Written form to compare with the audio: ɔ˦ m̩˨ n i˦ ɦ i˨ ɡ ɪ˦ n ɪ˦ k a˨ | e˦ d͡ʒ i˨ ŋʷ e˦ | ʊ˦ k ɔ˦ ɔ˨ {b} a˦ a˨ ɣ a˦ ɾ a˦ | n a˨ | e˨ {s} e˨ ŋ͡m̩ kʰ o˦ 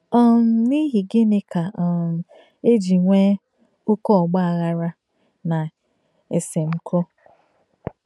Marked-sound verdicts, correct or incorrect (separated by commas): incorrect, correct